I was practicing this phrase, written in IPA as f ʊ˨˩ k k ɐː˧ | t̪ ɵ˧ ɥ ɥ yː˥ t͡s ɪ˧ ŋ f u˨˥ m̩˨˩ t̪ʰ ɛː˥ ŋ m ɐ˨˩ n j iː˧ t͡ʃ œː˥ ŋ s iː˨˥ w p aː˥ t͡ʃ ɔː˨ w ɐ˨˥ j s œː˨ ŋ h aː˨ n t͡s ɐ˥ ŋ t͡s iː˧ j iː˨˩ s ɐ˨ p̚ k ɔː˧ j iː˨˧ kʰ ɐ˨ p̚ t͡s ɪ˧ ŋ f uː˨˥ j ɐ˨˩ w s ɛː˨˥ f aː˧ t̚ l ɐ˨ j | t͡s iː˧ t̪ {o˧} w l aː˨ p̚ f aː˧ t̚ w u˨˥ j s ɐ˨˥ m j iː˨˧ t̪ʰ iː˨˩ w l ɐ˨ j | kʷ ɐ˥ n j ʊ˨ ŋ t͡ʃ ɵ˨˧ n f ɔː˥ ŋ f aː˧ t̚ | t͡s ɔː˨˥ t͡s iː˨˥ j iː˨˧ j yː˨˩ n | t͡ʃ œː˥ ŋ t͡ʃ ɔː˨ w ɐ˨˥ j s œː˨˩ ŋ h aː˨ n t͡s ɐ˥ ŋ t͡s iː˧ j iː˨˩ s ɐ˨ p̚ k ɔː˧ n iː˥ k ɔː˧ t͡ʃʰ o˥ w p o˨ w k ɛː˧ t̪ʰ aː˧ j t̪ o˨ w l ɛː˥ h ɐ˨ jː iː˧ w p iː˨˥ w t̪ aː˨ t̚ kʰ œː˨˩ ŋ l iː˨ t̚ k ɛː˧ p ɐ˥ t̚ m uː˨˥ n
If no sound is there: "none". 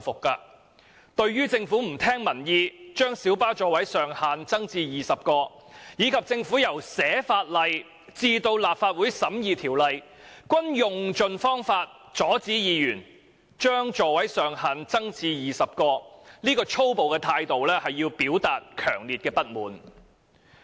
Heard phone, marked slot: o˧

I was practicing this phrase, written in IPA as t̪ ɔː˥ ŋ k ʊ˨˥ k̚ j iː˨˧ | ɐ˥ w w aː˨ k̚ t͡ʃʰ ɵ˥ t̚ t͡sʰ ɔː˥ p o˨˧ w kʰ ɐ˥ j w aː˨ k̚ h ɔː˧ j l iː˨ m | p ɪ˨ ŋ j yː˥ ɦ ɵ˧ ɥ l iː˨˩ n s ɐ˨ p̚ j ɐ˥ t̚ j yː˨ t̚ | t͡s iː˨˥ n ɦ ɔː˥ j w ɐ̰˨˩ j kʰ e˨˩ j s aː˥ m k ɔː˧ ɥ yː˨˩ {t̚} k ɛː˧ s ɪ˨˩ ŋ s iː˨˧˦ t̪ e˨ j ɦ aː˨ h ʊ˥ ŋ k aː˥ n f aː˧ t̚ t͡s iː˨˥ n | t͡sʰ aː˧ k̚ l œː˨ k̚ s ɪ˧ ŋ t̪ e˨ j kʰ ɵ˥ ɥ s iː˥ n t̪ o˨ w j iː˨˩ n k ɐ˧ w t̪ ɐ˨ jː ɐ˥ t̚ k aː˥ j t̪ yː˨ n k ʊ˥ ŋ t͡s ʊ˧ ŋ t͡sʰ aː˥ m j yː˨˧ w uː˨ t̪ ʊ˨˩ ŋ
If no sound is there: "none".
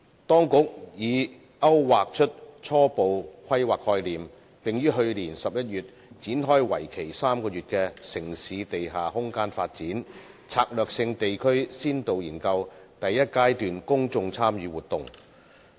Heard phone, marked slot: t̚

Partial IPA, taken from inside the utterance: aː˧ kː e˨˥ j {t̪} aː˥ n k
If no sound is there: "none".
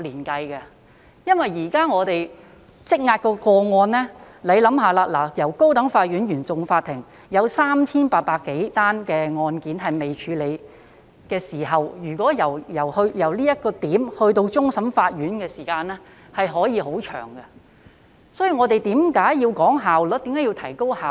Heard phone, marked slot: t̪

